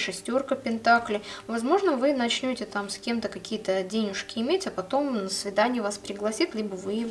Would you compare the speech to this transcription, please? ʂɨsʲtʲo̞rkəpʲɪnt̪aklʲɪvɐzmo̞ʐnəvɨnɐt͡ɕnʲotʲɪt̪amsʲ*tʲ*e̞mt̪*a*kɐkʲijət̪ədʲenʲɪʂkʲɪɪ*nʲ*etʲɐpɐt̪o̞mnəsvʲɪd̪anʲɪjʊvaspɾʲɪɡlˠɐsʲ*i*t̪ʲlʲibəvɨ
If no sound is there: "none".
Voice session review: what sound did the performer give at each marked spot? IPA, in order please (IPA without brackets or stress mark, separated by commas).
kʲ, ə, mʲ, i